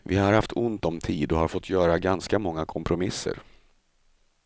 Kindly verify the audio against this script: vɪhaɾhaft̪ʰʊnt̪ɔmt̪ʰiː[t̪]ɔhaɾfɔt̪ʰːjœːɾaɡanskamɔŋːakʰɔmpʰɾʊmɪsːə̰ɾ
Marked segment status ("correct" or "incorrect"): incorrect